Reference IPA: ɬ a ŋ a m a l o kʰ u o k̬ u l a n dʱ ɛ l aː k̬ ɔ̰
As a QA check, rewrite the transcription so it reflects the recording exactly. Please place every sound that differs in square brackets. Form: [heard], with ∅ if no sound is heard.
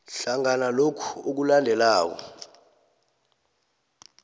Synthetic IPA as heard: ɬ a ŋ a [n] a l o kʰ u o k̬ u l a n dʱ ɛ l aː k̬ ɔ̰

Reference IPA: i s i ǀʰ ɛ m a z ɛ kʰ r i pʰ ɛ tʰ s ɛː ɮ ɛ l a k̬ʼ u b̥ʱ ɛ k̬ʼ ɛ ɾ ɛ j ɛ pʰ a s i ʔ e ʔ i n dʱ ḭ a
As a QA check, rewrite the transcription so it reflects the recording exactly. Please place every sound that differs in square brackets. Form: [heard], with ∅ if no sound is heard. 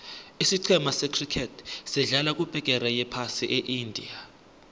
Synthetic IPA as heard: i s i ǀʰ ɛ m a [s] ɛ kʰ r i [kʰ] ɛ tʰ s [ɛ] ɮ [a] l a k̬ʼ u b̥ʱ ɛ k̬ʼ ɛ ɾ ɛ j ɛ pʰ a s i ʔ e ʔ i n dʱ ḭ a

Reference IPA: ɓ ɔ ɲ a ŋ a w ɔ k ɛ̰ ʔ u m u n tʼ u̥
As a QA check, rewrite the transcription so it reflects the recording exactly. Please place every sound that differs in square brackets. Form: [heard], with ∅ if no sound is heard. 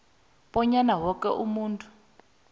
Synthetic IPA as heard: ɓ ɔ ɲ a [n] a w ɔ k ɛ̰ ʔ u m [uː] n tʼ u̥

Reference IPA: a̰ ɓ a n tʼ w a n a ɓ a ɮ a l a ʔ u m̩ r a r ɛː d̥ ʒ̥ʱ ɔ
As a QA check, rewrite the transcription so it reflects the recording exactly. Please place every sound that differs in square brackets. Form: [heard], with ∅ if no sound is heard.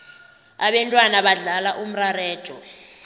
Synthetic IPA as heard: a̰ ɓ [ɛ] n tʼ w a n a ɓ a ɮ a l a ʔ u m̩ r a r ɛː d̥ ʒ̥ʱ ɔ

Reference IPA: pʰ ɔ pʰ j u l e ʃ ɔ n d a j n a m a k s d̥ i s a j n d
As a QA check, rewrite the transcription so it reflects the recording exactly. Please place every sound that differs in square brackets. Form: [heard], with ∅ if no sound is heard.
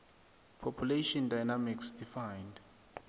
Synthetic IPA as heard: pʰ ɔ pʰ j u l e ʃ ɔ n d a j n a m [i] k s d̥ i [f] a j n d

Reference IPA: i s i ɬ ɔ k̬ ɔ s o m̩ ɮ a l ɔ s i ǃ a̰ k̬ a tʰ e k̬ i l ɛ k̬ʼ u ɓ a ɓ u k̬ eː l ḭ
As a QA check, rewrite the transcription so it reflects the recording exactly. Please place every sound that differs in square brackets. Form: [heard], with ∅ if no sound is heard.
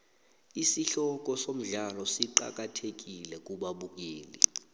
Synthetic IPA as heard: i s i ɬ ɔ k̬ ɔ s o m̩ ɮ a l ɔ s i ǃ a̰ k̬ a tʰ e k̬ i l ɛ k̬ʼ u ɓ a ɓ u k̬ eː l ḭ

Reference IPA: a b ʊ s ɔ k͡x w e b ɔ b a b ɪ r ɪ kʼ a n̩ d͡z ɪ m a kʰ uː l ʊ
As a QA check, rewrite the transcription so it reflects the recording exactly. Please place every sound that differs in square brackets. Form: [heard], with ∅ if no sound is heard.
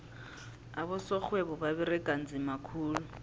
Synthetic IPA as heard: a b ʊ s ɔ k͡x w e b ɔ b a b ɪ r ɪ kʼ a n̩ d͡z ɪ m a kʰ uː l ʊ

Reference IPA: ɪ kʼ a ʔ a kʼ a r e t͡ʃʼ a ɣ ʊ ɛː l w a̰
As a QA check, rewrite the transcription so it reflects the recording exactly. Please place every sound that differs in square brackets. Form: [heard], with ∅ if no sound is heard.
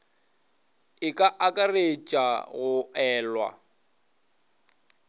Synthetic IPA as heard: ɪ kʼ a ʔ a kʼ a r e t͡ʃʼ a ɣ ʊ ɛː l w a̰

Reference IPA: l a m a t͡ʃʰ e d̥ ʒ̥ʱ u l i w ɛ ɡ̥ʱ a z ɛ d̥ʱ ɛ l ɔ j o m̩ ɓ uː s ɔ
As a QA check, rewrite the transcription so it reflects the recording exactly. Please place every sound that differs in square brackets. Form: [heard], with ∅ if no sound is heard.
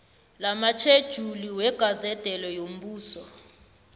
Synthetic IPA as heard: l a m a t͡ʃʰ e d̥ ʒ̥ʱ u l i w ɛ ɡ̥ʱ a z ɛ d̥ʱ ɛ l ɔ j o m̩ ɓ uː s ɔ

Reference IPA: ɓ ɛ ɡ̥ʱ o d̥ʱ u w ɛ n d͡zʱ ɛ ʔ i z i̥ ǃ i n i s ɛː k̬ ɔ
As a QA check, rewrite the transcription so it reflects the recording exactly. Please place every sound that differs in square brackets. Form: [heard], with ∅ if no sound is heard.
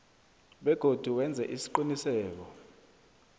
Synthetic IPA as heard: ɓ ɛ ɡ̥ʱ o d̥ʱ u w ɛ n d͡zʱ ɛ ʔ i [s] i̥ ǃ i n i s ɛː k̬ ɔ

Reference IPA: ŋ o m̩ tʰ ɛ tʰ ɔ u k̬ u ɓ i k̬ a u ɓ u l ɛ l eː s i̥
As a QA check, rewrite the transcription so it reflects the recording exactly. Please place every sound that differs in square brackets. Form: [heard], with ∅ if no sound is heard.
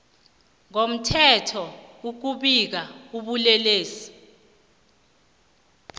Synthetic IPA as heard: ŋ o m̩ tʰ ɛ tʰ ɔ u k̬ u ɓ i k̬ a u ɓ u l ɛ l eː s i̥

